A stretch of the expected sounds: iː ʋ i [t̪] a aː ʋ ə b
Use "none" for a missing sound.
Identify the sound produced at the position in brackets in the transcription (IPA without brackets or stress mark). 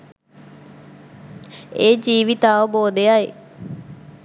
t̪